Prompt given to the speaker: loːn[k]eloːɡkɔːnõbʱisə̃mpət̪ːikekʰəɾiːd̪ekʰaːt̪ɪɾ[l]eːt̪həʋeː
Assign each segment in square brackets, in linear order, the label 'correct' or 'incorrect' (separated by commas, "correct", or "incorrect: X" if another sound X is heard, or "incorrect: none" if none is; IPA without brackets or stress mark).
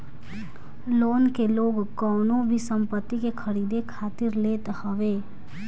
correct, correct